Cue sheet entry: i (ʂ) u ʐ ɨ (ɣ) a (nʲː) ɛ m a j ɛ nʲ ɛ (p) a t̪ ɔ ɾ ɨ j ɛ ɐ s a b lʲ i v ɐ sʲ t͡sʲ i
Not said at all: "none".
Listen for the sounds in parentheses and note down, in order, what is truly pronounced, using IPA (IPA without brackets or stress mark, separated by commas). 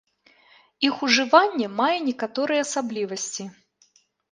x, v, nʲː, k